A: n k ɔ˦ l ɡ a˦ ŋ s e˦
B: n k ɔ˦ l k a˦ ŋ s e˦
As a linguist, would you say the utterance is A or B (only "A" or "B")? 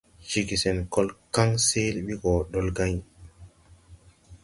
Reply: B